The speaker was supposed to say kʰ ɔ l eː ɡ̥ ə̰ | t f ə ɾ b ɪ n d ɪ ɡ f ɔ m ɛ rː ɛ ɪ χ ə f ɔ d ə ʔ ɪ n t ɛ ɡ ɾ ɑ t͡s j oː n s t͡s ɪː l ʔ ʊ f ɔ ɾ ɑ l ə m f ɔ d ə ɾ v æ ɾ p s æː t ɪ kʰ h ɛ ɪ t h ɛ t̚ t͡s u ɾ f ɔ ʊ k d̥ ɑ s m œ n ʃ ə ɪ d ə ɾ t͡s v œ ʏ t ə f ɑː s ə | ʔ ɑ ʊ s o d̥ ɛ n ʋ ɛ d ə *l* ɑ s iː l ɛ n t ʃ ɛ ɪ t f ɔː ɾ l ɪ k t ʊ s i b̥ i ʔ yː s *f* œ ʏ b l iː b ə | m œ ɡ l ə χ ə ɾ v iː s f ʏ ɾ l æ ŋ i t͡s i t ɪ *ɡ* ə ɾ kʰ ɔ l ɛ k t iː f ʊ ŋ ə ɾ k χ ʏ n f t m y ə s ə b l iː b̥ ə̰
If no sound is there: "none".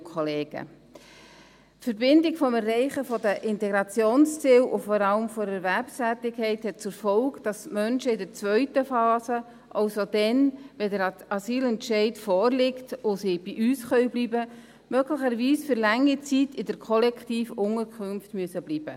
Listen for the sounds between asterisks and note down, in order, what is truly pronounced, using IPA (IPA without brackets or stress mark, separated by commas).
ɾ, χ, d